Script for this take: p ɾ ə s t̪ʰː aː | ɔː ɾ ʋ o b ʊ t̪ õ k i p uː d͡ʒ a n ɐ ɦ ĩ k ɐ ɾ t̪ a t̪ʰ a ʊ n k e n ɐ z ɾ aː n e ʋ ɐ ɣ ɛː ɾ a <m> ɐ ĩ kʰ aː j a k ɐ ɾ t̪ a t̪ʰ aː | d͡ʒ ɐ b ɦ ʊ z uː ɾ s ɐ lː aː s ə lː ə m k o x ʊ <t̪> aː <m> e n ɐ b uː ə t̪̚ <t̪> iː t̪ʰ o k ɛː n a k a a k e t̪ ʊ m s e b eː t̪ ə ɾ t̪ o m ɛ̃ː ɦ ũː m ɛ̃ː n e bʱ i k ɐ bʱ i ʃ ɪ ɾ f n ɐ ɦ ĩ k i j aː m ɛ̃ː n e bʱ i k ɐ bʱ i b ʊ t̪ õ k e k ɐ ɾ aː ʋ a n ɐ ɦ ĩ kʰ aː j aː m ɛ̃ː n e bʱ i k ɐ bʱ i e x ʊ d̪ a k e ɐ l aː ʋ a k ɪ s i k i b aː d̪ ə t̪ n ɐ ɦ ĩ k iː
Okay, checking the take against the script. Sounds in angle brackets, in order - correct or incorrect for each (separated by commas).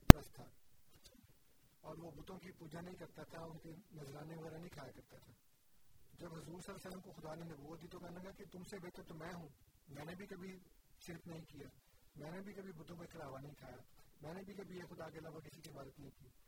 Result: incorrect, incorrect, incorrect, incorrect